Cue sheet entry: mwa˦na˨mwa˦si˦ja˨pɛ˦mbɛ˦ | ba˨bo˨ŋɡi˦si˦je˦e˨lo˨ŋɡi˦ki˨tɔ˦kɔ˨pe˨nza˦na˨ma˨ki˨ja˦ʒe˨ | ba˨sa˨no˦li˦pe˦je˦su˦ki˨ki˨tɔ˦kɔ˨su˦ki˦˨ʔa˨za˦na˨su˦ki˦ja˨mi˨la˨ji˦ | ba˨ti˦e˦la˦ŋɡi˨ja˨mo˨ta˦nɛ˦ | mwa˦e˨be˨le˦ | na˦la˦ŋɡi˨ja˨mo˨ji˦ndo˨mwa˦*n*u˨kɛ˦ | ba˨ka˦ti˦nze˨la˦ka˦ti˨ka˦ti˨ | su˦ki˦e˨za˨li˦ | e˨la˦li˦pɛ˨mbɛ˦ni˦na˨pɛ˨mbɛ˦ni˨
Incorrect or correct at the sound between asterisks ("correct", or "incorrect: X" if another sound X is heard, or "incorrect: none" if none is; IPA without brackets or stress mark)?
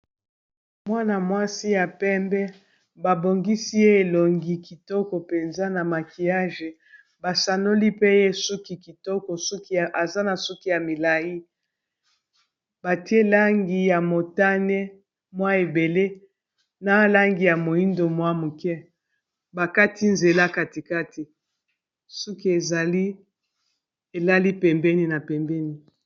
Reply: incorrect: m